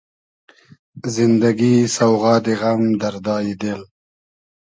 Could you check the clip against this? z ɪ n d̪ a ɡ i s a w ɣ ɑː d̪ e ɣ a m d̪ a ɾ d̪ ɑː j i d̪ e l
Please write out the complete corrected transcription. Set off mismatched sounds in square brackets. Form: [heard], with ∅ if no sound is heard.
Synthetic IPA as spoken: z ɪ n d̪ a ɡ i s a w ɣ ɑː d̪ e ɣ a m d̪ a ɾ d̪ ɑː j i d̪ e l

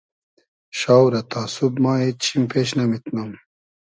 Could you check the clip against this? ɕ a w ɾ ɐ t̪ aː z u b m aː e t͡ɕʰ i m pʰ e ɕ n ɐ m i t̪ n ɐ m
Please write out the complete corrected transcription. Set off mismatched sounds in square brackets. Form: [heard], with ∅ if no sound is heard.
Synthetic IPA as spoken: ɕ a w ɾ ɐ t̪ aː [s] u b m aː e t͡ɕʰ i m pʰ e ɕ n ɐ m i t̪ n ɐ m

